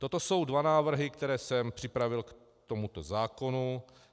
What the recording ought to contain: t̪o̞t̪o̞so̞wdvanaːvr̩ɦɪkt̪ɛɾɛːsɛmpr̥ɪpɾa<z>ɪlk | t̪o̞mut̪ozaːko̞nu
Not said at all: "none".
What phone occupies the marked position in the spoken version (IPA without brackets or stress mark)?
v